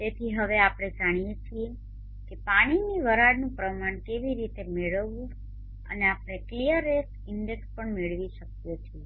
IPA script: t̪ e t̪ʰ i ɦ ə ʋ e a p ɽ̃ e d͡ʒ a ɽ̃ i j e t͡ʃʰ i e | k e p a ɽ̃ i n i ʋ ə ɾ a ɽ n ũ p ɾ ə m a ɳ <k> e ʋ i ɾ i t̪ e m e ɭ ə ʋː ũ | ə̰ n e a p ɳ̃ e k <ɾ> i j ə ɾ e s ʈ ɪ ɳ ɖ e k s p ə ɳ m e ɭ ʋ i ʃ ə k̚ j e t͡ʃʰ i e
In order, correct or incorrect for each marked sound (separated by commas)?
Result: correct, incorrect